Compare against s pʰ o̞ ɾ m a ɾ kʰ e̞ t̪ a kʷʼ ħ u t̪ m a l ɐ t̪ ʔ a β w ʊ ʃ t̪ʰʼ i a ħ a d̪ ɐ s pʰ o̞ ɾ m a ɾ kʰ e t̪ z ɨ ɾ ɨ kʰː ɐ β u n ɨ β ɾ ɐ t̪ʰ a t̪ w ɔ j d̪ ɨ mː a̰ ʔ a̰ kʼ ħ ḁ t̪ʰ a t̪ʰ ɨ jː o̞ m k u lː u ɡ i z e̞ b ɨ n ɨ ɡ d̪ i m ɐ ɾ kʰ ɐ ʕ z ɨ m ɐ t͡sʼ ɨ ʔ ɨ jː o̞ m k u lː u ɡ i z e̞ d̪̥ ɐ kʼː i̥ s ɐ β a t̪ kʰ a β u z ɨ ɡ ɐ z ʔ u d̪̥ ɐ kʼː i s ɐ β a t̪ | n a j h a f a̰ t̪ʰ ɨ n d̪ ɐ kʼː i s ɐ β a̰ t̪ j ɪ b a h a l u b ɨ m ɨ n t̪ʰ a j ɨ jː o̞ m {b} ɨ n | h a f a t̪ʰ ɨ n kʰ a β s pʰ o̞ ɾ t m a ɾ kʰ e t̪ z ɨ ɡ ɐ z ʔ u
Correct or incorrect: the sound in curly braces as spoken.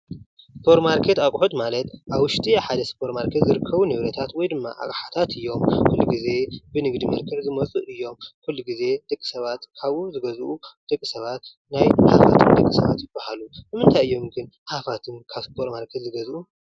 incorrect: ɡ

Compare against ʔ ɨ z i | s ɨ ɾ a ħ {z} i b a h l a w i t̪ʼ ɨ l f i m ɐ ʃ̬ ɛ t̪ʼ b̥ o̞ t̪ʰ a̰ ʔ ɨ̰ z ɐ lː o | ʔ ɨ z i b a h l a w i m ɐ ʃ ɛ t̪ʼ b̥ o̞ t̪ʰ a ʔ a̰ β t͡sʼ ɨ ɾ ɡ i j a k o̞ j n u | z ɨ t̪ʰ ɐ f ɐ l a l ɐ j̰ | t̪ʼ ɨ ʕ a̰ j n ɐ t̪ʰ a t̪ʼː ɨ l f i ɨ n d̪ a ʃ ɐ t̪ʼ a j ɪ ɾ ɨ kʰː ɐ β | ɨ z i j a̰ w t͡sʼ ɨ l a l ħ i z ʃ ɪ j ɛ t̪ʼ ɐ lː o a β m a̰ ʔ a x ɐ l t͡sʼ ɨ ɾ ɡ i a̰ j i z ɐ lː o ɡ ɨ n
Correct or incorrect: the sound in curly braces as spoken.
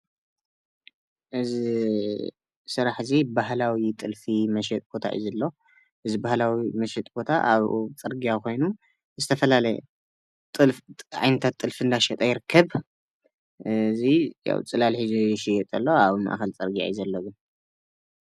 correct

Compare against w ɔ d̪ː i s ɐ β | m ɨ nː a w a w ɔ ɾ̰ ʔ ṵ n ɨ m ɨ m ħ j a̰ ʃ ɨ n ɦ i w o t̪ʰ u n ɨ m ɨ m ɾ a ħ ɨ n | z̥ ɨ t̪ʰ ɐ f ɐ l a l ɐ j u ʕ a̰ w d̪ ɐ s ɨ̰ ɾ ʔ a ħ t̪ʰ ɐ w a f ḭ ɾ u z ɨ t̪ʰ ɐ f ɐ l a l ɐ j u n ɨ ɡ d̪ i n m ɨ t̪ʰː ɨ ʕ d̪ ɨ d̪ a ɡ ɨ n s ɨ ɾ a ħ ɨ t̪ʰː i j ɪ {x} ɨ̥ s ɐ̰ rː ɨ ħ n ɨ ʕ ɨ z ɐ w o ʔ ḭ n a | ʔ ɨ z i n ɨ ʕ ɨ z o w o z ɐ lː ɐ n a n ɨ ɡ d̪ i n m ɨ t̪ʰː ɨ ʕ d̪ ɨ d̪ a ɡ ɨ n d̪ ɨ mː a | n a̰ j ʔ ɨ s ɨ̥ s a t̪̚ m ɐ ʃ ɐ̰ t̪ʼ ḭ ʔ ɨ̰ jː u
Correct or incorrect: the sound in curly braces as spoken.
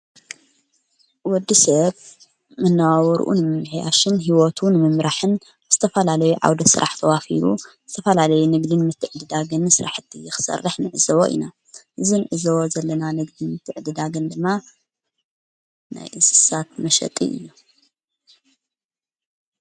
correct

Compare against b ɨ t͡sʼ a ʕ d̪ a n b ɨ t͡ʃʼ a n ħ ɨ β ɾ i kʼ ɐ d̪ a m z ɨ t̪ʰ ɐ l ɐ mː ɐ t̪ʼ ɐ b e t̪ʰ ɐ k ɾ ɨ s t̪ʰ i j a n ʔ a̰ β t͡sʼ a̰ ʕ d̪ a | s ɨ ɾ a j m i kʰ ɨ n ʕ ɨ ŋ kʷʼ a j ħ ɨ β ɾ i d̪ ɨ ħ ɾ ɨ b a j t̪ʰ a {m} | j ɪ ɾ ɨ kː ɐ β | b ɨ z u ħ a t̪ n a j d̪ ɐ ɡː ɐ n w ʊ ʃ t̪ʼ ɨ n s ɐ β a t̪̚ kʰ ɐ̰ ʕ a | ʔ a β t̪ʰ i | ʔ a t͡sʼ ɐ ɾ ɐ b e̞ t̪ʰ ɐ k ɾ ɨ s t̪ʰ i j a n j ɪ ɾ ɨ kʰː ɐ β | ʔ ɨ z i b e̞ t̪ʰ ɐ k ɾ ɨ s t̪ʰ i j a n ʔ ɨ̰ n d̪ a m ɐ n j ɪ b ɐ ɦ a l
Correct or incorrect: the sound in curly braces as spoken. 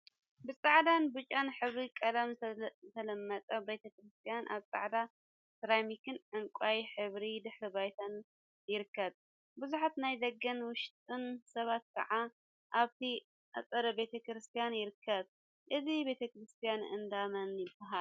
incorrect: n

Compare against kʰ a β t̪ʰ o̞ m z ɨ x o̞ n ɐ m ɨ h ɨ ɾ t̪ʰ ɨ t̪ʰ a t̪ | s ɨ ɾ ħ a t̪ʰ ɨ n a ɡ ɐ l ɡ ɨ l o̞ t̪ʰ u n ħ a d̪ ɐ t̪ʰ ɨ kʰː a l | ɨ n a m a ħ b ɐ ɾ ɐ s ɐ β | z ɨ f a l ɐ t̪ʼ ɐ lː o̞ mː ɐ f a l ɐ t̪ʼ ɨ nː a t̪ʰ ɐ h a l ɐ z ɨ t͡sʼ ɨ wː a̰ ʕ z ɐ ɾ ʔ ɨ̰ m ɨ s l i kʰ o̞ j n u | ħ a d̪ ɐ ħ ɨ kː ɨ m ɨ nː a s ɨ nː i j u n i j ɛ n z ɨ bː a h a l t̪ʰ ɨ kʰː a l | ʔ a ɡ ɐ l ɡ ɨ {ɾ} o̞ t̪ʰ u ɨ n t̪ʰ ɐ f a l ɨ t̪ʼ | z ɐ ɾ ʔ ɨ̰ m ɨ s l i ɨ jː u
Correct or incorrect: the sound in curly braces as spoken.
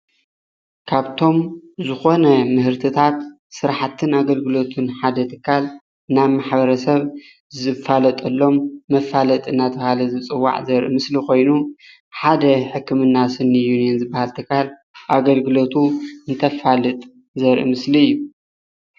incorrect: l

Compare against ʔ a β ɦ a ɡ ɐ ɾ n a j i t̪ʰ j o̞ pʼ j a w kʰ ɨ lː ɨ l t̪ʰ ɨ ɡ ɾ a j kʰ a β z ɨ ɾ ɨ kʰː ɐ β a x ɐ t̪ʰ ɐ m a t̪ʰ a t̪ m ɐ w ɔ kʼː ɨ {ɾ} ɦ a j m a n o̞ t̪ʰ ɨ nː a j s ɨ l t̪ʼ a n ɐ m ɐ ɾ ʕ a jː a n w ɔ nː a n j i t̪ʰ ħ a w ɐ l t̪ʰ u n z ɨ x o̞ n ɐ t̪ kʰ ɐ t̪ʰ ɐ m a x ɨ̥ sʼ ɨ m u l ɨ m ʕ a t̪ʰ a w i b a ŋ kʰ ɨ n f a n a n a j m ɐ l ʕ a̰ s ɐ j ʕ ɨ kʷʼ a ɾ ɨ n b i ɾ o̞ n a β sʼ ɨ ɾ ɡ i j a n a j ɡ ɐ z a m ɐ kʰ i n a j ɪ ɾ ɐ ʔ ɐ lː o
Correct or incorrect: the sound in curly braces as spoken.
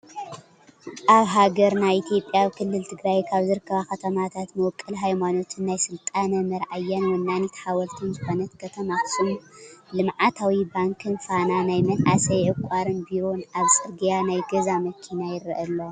incorrect: l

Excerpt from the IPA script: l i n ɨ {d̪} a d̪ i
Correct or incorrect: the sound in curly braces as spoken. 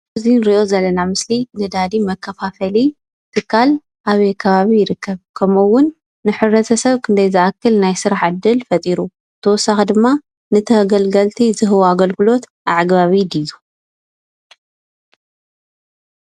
correct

